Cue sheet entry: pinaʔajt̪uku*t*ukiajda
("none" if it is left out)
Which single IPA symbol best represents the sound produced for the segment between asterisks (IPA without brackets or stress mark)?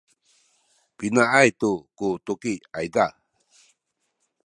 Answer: t